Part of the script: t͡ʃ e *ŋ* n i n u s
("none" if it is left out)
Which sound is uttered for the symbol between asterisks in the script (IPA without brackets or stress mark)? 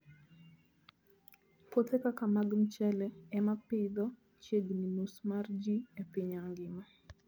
ɡ